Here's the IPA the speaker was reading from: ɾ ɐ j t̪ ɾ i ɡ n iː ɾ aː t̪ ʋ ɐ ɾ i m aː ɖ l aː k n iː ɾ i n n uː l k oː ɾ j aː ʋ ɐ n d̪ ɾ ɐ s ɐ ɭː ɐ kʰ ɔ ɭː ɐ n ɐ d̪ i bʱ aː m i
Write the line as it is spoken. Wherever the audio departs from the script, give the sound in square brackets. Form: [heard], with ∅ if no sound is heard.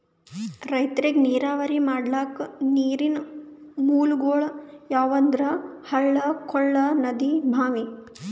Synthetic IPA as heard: ɾ ɐ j t̪ ɾ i ɡ n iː ɾ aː [∅] ʋ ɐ ɾ i m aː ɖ l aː k n iː ɾ i n [m] uː l [ɡ] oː [ɭ] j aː ʋ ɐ n d̪ ɾ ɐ [h] ɐ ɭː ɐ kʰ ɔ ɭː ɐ n ɐ d̪ i bʱ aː m i